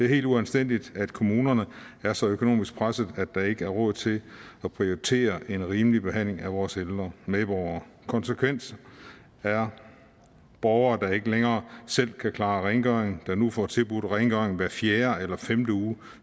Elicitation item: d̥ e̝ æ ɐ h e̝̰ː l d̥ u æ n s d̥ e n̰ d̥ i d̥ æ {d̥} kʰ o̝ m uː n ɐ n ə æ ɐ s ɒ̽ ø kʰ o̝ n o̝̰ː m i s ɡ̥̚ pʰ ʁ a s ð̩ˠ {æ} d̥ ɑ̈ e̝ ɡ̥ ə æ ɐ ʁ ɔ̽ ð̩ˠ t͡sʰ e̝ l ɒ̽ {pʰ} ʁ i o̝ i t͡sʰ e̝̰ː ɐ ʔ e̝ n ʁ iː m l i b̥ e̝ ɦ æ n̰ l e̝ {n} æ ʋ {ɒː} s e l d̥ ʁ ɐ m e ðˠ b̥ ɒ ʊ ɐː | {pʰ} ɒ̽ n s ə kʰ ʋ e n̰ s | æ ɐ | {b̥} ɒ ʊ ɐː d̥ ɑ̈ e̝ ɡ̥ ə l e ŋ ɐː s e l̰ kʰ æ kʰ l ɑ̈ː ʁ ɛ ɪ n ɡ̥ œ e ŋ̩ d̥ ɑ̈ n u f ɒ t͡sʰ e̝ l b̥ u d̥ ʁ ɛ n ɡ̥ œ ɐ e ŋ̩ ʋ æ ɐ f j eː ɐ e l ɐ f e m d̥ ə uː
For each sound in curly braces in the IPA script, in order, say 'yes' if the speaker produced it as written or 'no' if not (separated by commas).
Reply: yes, yes, yes, no, yes, no, yes